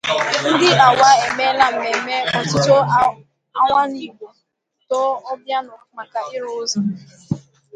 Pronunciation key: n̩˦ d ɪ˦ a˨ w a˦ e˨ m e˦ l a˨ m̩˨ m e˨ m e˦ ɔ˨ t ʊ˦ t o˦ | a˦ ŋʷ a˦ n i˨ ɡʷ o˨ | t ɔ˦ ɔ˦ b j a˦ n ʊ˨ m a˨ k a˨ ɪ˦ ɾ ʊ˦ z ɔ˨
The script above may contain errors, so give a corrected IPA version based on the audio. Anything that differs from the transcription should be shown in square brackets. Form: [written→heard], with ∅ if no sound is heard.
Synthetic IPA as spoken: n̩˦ d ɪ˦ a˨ w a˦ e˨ m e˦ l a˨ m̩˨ m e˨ m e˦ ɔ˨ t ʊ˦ t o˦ | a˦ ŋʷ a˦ n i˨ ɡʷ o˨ | t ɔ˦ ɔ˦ b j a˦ n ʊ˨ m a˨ k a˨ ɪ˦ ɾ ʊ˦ z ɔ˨